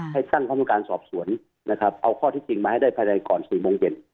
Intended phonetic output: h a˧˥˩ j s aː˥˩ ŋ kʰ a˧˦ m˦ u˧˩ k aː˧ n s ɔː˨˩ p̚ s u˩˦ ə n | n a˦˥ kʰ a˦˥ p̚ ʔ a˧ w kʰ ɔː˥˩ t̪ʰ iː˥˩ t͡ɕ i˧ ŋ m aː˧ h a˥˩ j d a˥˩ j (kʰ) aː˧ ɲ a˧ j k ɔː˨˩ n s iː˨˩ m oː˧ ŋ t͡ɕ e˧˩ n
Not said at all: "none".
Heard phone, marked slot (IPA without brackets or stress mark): pʰ